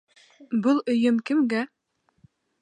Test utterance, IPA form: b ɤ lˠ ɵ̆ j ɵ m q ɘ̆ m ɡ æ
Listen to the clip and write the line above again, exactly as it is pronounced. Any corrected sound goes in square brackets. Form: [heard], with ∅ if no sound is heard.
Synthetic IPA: b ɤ lˠ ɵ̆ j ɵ m [k] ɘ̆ m ɡ æ